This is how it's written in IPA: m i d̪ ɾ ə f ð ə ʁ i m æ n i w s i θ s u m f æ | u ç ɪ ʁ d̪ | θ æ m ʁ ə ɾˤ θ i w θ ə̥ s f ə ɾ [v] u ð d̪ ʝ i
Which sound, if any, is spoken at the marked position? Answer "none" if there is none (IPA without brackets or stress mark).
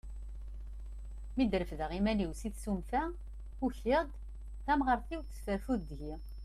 f